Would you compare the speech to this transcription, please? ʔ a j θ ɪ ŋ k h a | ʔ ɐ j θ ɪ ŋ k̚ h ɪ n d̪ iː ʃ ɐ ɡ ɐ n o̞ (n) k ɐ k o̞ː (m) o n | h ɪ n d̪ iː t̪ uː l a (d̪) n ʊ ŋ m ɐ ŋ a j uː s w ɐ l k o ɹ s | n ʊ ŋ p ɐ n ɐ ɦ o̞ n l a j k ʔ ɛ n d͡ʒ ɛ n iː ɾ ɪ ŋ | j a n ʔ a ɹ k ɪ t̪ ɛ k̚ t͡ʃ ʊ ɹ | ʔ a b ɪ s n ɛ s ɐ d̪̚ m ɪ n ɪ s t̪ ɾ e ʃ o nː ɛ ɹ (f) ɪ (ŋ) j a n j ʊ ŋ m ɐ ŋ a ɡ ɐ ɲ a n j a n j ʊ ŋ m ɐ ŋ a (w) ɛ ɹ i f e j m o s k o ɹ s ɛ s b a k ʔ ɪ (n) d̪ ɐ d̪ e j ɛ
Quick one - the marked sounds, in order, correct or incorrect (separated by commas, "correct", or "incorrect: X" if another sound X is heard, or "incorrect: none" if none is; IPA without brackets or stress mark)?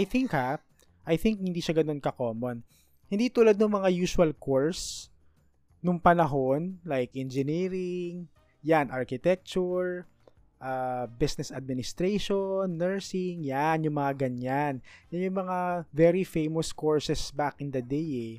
correct, correct, correct, incorrect: s, correct, incorrect: v, correct